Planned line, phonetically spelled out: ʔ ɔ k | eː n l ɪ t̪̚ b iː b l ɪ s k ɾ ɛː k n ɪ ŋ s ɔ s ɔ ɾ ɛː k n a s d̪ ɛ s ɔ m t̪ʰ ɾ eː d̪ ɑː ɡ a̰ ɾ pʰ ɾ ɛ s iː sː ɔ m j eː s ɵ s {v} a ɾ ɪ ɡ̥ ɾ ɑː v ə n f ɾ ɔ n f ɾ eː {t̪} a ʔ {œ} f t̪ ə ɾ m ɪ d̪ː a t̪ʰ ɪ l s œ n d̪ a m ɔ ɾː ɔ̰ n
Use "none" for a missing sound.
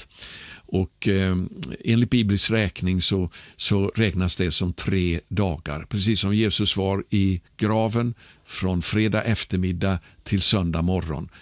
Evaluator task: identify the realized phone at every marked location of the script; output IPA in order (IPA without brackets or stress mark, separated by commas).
v, d̪, ɛ